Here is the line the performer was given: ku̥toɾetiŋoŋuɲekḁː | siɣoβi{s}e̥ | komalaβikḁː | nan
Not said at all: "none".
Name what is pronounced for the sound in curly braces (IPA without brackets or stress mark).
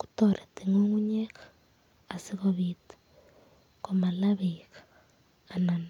t